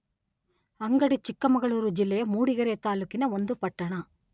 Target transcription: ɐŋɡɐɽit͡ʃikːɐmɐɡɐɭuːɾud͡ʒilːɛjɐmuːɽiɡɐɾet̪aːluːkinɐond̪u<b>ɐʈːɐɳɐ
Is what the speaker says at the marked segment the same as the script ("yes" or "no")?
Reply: no